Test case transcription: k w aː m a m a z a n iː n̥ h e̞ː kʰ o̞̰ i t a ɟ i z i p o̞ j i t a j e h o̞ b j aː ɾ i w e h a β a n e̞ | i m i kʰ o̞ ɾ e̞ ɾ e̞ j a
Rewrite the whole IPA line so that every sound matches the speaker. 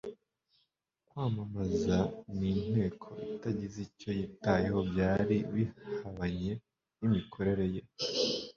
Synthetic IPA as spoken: k w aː m a m a z a n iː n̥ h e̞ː kʰ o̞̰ i t a ɟ i z i c o̞ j i t a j e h o̞ b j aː ɾ i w i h a β a ɲ e̞ | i m i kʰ o̞ ɾ e̞ ɾ e̞ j e